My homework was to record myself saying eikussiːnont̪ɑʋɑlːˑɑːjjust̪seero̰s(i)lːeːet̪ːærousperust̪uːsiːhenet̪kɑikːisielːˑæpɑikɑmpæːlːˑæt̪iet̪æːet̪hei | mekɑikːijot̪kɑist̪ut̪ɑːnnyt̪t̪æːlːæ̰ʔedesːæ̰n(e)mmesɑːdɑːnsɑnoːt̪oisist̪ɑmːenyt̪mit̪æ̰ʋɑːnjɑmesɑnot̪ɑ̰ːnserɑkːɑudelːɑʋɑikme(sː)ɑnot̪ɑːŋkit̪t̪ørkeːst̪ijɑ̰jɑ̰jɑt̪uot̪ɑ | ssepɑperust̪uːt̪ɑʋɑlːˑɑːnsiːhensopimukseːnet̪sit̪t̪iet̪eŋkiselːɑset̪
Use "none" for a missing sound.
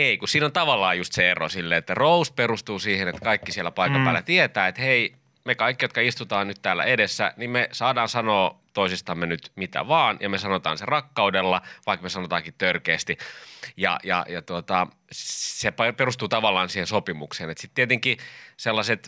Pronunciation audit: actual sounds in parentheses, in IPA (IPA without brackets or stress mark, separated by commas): i, i, s